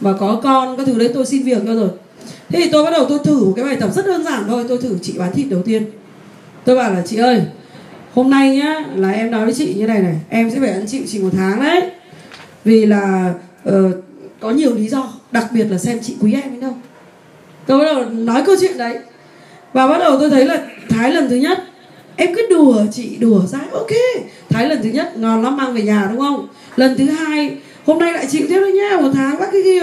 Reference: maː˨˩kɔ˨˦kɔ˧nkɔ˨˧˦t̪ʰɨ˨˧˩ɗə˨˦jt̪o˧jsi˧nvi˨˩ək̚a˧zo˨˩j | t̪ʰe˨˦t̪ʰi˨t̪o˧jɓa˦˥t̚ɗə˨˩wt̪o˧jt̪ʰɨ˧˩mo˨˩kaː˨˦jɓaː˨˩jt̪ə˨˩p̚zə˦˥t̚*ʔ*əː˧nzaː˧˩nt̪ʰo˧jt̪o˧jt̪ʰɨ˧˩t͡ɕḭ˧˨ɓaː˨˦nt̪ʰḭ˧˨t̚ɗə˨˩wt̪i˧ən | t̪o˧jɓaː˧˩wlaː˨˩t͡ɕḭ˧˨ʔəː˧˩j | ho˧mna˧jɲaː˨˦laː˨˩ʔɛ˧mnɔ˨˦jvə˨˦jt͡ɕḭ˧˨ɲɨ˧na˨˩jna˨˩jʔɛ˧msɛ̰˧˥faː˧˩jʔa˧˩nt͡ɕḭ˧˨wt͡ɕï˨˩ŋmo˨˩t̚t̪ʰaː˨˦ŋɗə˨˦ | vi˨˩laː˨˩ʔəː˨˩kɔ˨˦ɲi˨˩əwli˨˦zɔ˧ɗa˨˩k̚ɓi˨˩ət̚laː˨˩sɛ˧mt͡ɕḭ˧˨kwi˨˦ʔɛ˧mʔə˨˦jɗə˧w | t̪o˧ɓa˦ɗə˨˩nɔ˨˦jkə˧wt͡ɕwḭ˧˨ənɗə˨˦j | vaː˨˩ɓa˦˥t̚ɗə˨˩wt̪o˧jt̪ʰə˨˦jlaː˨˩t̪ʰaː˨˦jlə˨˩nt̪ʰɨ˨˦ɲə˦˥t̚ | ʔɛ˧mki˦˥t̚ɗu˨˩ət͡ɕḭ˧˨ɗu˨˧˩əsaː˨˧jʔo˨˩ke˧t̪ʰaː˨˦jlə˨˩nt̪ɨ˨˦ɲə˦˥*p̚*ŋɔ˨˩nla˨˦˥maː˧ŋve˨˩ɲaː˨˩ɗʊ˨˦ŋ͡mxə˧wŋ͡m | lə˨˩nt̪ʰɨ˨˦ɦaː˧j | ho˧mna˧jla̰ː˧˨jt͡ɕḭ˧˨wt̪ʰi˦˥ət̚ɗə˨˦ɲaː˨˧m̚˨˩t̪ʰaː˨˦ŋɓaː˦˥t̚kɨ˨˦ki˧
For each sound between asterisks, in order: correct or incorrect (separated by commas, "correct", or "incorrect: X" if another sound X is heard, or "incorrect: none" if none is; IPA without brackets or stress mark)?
correct, incorrect: t̚